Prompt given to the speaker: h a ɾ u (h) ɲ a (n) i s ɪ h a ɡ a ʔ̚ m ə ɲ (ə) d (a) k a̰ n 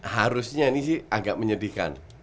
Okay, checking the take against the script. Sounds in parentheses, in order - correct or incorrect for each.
incorrect, correct, correct, incorrect

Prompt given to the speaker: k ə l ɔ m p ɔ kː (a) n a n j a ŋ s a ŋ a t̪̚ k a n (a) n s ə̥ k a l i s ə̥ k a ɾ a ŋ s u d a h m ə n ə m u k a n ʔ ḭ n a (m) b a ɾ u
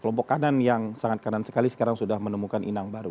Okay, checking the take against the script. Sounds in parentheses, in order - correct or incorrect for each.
correct, correct, incorrect

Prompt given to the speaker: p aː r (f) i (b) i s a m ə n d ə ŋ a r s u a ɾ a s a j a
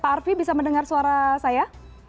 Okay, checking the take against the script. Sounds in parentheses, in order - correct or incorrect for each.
correct, correct

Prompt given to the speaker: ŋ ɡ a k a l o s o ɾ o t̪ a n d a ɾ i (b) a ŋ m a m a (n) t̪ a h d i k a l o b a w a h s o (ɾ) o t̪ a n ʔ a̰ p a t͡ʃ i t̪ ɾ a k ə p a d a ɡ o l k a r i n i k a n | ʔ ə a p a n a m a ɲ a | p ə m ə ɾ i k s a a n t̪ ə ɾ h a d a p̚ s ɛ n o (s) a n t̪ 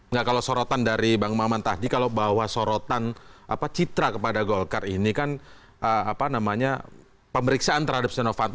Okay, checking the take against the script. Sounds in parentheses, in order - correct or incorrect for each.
correct, correct, correct, incorrect

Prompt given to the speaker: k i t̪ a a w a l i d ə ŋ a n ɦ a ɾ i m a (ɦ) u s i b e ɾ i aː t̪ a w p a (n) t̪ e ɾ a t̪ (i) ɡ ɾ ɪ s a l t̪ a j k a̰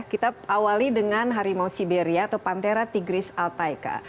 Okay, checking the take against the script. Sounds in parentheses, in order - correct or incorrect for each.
incorrect, correct, correct

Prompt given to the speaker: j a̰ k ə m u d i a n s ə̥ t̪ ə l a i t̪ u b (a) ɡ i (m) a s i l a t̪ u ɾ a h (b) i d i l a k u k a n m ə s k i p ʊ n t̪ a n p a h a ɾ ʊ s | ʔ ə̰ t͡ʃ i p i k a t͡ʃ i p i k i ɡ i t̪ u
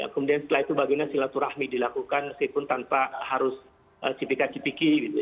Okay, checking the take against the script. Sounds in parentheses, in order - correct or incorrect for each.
correct, incorrect, incorrect

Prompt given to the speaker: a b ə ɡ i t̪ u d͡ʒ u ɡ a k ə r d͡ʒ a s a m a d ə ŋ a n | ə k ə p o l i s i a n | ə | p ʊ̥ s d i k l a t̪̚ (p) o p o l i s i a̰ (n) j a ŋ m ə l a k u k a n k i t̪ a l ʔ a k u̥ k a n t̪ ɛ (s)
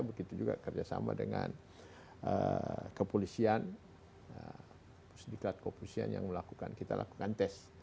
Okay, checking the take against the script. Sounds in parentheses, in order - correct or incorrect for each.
incorrect, correct, correct

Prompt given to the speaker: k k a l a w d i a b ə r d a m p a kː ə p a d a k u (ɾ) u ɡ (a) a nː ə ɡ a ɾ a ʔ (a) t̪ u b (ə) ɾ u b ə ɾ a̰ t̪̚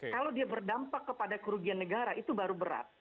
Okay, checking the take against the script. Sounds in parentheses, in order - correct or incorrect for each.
correct, incorrect, incorrect, incorrect

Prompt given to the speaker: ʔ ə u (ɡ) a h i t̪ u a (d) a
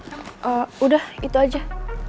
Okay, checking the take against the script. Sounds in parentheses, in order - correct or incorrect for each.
incorrect, incorrect

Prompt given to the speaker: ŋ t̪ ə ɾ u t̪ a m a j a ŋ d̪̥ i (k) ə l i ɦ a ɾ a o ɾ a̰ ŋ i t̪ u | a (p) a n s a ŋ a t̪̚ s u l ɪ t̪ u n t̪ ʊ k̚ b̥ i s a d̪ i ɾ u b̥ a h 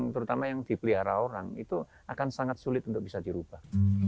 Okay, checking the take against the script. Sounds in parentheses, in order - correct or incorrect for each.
incorrect, incorrect

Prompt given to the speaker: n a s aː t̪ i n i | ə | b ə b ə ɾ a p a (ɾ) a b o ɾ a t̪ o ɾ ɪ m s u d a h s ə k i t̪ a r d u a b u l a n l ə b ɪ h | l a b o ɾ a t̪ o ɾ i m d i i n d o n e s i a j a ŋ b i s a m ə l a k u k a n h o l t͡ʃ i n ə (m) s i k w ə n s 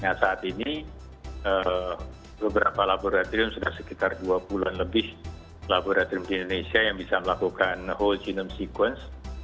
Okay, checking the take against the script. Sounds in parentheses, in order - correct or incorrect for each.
incorrect, correct

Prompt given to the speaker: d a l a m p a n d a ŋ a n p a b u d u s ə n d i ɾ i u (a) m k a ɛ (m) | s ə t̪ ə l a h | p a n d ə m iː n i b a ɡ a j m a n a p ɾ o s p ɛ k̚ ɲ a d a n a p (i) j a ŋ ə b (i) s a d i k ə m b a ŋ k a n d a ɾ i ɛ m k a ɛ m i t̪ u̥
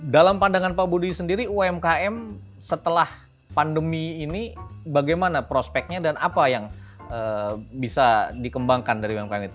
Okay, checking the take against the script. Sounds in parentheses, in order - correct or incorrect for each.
incorrect, correct, incorrect, correct

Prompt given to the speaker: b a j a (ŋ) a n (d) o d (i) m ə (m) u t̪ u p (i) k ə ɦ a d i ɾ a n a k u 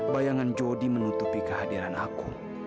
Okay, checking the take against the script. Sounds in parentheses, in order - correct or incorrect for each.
correct, incorrect, correct, incorrect, correct

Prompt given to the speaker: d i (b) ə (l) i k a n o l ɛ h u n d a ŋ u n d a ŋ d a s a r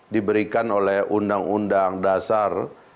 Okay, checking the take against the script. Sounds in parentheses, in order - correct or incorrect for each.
correct, incorrect

